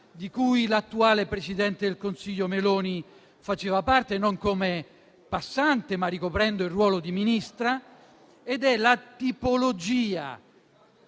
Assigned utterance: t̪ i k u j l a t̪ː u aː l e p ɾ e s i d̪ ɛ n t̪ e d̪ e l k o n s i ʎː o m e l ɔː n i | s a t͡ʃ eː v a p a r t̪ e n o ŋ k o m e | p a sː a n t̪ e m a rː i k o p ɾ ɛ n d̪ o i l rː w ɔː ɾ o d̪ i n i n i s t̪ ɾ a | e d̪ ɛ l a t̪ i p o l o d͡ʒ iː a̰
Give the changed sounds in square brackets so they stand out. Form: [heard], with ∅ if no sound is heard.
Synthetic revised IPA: [d̪] i k u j l a t̪ː u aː l e p ɾ e s i d̪ ɛ n t̪ e d̪ e l k o n s i ʎː o m e l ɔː n i | [f] a t͡ʃ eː v a p a r t̪ e n o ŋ k o m e | p a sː a n t̪ e m a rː i k o p ɾ ɛ n d̪ o i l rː w ɔː [l] o d̪ i [m] i n i s t̪ ɾ a | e d̪ ɛ l a t̪ i p o l o d͡ʒ iː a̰